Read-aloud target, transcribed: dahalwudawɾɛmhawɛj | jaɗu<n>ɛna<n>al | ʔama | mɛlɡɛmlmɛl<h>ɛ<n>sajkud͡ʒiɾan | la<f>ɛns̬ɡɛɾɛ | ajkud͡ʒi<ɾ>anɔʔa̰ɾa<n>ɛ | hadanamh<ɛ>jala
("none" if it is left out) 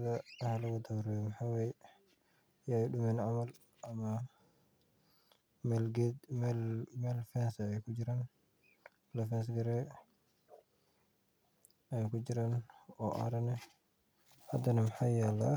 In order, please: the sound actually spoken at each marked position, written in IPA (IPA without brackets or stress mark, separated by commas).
m, m, f, n, f, ɾ, n, a